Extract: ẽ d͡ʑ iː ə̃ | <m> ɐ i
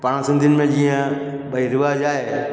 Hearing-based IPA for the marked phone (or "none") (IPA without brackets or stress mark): b